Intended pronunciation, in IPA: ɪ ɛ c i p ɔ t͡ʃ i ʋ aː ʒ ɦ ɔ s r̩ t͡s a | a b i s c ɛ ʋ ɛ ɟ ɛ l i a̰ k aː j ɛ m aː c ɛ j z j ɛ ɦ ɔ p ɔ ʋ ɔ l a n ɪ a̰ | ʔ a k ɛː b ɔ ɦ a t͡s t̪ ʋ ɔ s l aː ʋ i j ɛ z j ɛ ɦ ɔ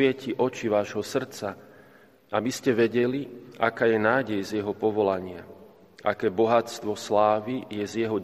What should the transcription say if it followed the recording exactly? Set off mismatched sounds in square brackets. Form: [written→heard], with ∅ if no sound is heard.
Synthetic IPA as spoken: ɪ ɛ c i [p→ʔ] ɔ t͡ʃ i ʋ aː ʒ ɦ ɔ s r̩ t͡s a | a b i s c ɛ ʋ ɛ ɟ ɛ l i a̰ k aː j ɛ [m→n] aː [c→ɟ] ɛ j z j ɛ ɦ ɔ p ɔ ʋ ɔ l a [n→ɲ] ɪ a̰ | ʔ a k ɛː b ɔ ɦ a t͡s t̪ ʋ ɔ s l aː ʋ i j ɛ z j ɛ ɦ ɔ